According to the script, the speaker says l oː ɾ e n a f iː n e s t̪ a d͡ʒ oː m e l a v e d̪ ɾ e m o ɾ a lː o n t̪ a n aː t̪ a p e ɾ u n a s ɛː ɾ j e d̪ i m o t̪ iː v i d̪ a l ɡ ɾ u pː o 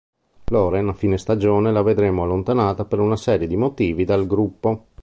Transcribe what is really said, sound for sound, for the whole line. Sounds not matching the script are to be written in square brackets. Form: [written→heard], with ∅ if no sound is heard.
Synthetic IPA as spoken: l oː ɾ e n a f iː n e s t̪ a d͡ʒ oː [m→n] e l a v e d̪ ɾ e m o [ɾ→∅] a lː o n t̪ a n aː t̪ a p e ɾ u n a s ɛː ɾ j e d̪ i m o t̪ iː v i d̪ a l ɡ ɾ u pː o